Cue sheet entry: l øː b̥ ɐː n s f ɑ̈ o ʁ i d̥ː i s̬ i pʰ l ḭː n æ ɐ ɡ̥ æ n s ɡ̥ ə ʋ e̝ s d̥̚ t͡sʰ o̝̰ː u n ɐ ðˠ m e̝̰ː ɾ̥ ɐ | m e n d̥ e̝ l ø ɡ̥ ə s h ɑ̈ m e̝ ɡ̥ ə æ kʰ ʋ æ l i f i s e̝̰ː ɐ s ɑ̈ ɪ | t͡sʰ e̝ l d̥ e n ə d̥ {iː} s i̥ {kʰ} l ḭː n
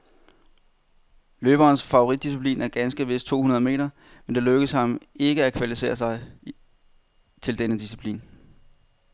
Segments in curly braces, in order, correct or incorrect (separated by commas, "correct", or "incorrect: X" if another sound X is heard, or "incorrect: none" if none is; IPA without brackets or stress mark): incorrect: i, incorrect: pʰ